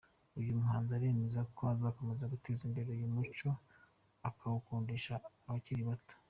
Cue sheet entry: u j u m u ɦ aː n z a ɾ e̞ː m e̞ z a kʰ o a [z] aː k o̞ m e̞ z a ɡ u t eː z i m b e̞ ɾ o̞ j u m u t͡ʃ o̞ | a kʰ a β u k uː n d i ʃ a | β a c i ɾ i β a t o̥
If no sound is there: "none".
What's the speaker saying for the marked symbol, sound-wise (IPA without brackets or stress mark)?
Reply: z